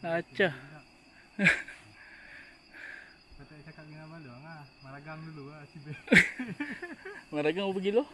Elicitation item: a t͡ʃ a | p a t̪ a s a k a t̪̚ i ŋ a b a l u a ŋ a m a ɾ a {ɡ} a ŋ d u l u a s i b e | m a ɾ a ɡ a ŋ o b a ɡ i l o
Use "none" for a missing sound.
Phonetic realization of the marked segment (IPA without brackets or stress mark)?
ɡ